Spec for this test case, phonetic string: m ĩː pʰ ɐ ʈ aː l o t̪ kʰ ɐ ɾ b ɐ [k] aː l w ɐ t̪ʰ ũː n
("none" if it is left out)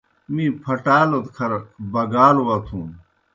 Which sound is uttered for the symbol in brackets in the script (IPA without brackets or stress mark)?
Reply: ɡ